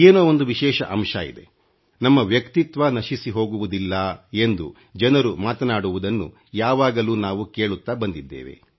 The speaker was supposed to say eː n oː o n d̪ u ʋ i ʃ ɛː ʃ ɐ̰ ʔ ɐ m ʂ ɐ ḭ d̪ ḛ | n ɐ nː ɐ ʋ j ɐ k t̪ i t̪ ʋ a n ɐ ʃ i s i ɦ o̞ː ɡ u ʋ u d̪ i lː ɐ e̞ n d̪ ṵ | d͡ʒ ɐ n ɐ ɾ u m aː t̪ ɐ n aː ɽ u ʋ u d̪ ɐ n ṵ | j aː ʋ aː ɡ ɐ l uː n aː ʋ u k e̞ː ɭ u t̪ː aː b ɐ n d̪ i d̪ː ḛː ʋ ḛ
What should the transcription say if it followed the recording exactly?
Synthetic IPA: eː n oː o n d̪ u ʋ i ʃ ɛː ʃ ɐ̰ ʔ ɐ m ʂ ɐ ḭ d̪ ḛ | n ɐ mː ɐ ʋ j ɐ k t̪ i t̪ ʋ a n ɐ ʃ i s i ɦ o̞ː ɡ u ʋ u d̪ i lː ɐ e̞ n d̪ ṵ | d͡ʒ ɐ n ɐ ɾ u m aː t̪ ɐ n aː ɽ u ʋ u d̪ ɐ nː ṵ | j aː ʋ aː ɡ ɐ l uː n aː ʋ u k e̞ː ɭ u t̪ː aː b ɐ n d̪ i d̪ː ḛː ʋ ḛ

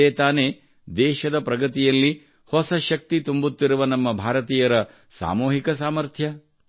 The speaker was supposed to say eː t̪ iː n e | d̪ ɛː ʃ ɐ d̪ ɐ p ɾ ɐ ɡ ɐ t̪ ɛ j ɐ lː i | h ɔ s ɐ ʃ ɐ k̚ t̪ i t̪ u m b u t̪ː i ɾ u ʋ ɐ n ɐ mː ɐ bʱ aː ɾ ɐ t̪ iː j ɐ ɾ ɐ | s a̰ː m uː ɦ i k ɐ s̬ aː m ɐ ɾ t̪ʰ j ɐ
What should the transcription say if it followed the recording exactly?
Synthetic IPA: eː t̪ aː n e | d̪ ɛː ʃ ɐ d̪ ɐ p ɾ ɐ ɡ ɐ t̪ i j ɐ lː i | h ɔ s ɐ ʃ ɐ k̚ t̪ i t̪ u m b u t̪ː i ɾ u ʋ ɐ n ɐ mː ɐ bʱ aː ɾ ɐ t̪ iː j ɐ ɾ ɐ | s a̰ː m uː ɦ i k ɐ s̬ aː m ɐ ɾ t̪ʰ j ɐ

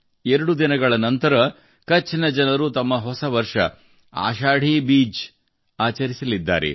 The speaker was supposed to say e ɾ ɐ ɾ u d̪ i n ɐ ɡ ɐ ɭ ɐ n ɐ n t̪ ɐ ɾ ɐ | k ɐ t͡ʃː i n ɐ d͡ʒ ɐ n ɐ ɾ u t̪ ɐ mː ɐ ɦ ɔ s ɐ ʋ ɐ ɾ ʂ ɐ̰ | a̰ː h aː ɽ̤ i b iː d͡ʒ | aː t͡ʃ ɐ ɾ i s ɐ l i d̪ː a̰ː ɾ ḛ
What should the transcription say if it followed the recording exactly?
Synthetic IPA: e ɾ ɐ ɽ u d̪ i n ɐ ɡ ɐ ɭ ɐ n ɐ n t̪ ɐ ɾ ɐ | k ɐ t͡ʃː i n ɐ d͡ʒ ɐ n ɐ ɾ u t̪ ɐ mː ɐ ɦ ɔ s ɐ ʋ ɐ ɾ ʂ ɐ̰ | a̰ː ʃ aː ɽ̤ i b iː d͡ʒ | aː t͡ʃ ɐ ɾ i s ɐ l i d̪ː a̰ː ɾ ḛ

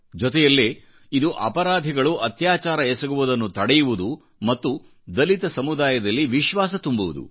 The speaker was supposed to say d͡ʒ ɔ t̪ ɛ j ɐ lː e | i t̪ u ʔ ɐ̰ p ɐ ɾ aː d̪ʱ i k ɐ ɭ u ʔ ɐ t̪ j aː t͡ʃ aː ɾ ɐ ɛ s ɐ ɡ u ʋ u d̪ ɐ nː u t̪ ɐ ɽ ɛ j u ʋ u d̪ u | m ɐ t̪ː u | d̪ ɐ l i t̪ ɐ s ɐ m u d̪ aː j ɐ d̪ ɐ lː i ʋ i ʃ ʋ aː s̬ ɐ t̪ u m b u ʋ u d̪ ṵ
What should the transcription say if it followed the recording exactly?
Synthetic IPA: d͡ʒ ɔ t̪ ɛ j ɐ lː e | i d̪ u ʔ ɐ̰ p ɐ ɾ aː d̪ʱ i ɡ ɐ ɭ u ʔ ɐ t̪ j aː t͡ʃ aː ɾ ɐ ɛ s ɐ ɡ u ʋ u d̪ ɐ nː u t̪ ɐ ɽ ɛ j u ʋ u d̪ u | m ɐ t̪ː u | d̪ ɐ l i t̪ ɐ s ɐ m u d̪ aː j ɐ d̪ ɐ lː i ʋ i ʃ ʋ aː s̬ ɐ t̪ u m b u ʋ u d̪ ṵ

